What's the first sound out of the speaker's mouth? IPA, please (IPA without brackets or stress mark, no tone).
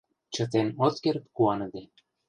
t͡ɕ